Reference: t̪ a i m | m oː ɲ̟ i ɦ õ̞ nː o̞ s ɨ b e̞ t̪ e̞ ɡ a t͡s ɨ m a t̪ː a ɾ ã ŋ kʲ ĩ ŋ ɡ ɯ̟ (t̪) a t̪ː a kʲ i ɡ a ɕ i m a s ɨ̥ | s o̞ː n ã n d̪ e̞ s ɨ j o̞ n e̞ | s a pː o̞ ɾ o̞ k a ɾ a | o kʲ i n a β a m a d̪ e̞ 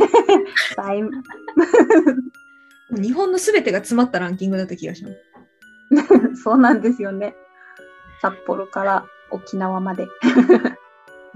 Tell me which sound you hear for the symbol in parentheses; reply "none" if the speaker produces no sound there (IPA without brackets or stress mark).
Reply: d̪